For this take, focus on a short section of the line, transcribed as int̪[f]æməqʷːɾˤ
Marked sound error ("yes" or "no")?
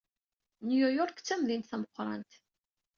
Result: yes